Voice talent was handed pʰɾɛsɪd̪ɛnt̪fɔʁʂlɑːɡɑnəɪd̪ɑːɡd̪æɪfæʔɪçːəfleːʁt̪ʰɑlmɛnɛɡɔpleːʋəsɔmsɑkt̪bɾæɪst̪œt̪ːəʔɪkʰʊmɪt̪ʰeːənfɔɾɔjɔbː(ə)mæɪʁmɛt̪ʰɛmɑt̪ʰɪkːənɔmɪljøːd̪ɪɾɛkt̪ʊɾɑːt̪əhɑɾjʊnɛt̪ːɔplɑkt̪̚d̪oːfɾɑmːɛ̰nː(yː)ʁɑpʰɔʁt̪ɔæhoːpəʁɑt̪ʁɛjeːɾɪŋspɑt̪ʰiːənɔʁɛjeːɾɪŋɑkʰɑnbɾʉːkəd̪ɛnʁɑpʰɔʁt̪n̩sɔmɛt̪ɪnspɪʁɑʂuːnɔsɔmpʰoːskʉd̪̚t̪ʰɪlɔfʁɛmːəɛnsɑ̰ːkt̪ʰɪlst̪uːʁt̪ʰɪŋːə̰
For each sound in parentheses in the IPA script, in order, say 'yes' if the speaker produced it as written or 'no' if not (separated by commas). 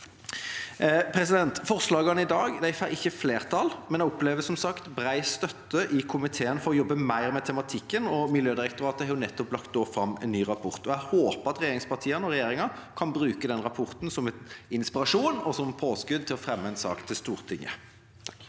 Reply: yes, yes